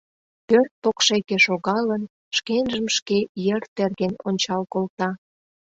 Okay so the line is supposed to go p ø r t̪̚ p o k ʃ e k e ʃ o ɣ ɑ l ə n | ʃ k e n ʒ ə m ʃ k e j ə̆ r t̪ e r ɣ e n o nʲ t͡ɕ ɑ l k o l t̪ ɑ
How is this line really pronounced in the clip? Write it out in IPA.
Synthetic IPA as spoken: p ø r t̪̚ p o k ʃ e k e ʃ o ɣ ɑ l ə n | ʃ k e n ʒ ə m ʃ k e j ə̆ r t̪ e r ɣ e n o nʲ t͡ɕ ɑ l k o l t̪ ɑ